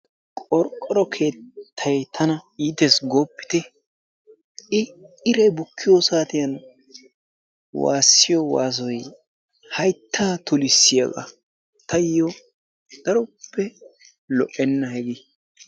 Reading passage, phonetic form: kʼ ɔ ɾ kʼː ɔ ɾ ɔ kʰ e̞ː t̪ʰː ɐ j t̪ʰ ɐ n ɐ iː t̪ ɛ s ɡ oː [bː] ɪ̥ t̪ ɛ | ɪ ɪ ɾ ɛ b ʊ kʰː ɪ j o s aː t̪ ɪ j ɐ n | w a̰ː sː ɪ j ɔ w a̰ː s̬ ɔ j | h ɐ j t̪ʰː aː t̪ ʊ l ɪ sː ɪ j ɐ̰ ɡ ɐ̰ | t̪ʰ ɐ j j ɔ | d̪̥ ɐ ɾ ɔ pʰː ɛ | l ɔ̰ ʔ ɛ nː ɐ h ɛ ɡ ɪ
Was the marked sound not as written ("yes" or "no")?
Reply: yes